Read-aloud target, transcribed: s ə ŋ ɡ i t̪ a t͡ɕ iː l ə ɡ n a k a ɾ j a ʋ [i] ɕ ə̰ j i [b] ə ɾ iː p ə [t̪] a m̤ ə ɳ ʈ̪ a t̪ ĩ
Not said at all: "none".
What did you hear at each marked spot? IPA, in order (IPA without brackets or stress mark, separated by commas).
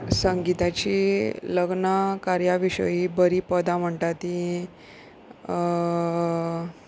i, b, d̪